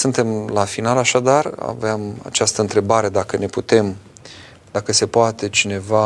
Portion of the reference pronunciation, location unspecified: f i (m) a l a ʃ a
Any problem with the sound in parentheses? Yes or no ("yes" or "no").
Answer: yes